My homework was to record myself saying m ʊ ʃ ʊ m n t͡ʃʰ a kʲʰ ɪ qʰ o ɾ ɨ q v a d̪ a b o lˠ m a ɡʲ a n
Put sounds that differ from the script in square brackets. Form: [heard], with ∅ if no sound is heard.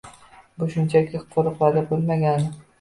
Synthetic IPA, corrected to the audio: [b] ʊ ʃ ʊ [∅] n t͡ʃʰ a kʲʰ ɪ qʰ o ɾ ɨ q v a d̪ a b o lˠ m a ɡʲ a n